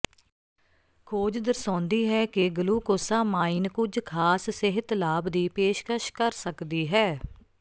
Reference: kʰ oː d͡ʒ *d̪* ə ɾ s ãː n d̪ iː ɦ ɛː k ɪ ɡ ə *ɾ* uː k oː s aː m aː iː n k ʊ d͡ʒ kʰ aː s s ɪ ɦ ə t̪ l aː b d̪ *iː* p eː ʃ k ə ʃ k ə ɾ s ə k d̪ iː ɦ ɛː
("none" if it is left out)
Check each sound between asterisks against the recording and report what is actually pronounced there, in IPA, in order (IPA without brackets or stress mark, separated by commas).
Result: d̪, l, iː